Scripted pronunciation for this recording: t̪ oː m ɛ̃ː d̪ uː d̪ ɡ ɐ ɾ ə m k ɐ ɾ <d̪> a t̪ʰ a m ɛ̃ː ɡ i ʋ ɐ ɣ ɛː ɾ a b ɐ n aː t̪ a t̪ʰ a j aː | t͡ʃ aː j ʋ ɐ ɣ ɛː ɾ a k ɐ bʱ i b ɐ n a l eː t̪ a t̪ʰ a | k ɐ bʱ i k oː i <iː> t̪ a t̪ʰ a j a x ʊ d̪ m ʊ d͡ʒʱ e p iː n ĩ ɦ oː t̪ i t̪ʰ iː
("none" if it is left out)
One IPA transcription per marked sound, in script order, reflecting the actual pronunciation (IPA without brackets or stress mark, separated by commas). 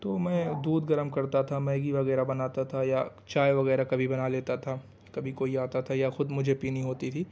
t̪, aː